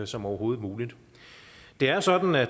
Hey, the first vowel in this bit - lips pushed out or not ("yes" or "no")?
yes